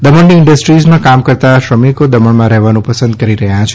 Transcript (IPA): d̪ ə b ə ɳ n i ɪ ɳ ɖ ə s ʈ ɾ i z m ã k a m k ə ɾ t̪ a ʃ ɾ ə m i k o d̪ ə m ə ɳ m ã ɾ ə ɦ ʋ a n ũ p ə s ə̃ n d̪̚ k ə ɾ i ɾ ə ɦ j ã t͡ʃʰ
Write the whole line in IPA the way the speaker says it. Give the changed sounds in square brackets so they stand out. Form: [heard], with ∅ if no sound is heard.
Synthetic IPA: d̪ ə [m] ə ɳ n i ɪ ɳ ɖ ə s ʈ ɾ i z m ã k a m k ə ɾ t̪ a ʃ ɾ ə m i k o d̪ ə m ə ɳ m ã ɾ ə ɦ ʋ a n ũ p ə s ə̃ n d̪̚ k ə ɾ i ɾ ə ɦ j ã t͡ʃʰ